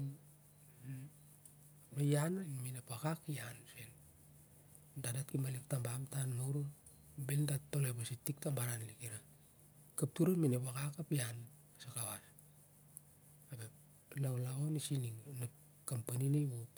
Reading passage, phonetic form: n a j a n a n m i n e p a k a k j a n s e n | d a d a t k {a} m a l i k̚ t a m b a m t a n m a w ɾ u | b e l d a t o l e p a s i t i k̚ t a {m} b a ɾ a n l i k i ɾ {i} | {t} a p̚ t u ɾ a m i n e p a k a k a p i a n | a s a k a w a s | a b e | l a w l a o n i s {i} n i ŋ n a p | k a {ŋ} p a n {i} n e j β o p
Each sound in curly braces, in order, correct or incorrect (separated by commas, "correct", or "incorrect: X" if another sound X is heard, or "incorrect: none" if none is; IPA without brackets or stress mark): incorrect: i, correct, incorrect: a, incorrect: k, correct, incorrect: m, correct